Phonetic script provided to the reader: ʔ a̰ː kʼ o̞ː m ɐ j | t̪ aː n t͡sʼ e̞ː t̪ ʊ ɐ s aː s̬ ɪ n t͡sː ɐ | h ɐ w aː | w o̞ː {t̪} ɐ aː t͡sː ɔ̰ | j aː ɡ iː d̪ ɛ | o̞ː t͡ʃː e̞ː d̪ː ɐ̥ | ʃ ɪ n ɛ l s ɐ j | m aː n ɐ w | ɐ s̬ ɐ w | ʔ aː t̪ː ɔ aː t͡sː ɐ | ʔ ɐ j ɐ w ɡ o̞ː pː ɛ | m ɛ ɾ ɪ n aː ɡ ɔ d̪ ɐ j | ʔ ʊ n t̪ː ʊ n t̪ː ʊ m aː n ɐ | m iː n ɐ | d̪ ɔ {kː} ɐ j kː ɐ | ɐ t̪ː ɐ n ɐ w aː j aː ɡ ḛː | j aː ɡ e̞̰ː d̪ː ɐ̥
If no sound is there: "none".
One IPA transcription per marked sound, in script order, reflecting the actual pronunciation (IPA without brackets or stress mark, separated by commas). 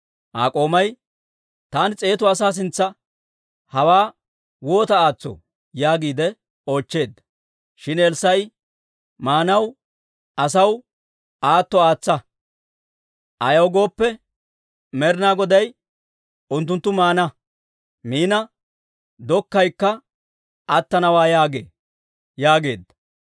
t̪, kː